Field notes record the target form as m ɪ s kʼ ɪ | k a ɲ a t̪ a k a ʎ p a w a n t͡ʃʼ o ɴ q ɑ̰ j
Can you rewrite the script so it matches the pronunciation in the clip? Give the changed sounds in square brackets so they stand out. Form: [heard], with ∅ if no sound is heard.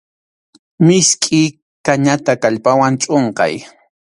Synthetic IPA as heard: m ɪ s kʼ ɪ | k a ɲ a t̪ a k a ʎ p a w a n t͡ʃʼ o ɴ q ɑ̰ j

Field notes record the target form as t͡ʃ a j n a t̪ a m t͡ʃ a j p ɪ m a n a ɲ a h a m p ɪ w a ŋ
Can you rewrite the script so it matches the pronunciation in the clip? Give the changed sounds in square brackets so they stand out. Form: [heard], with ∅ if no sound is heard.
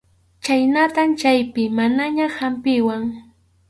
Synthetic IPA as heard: t͡ʃ a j n a t̪ a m t͡ʃ a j p ɪ m a n a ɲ a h a m p ɪ w a ŋ

